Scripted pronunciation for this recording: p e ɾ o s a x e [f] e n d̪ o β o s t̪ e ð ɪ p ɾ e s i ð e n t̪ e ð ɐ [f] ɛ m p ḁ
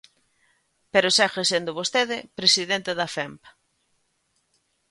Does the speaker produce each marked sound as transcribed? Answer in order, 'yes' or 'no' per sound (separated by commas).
no, yes